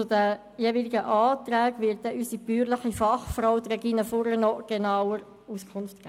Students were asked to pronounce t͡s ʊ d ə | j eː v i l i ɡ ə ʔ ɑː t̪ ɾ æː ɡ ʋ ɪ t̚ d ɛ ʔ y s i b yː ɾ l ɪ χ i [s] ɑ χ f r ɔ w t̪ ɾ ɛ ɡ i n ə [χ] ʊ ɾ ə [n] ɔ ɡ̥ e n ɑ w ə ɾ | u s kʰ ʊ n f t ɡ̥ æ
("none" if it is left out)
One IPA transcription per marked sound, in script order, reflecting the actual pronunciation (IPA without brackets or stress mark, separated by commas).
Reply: f, f, n